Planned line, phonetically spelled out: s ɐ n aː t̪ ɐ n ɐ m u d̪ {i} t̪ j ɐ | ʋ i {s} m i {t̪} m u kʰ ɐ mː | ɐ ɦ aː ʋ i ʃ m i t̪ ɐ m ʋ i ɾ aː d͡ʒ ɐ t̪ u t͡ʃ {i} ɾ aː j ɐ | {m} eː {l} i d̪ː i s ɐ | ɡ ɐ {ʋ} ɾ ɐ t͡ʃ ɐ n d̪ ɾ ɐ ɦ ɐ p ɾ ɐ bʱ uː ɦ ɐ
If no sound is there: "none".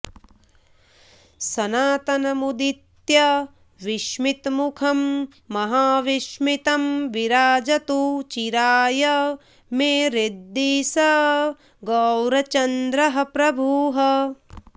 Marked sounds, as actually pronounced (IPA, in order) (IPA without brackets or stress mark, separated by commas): i, ʃ, t̪, i, m, ɾ, w